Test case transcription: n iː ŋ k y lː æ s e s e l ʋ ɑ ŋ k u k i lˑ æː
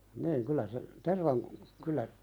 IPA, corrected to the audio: n iː ŋ k y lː æ s e t e r ʋ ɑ ŋ k u k y lˑ æ